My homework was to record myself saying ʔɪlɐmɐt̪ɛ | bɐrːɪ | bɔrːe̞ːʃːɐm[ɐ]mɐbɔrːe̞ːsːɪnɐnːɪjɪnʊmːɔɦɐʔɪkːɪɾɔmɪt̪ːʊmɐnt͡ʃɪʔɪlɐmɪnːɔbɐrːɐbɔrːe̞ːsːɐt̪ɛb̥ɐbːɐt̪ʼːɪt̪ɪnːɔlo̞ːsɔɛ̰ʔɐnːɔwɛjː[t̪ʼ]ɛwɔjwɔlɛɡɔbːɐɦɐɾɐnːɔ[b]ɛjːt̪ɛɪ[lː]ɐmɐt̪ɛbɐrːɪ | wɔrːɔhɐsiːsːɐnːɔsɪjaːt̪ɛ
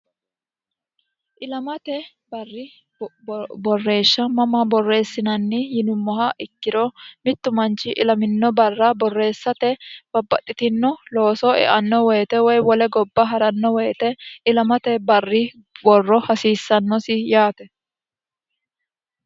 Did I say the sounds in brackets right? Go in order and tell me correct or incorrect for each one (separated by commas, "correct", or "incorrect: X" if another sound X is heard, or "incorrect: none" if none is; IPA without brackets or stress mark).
correct, incorrect: t̪, incorrect: w, incorrect: l